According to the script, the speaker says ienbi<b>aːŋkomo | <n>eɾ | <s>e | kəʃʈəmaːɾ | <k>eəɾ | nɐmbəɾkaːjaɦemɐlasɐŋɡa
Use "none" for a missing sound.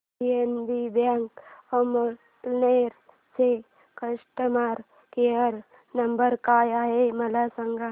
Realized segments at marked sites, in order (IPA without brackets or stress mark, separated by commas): b, n, s, k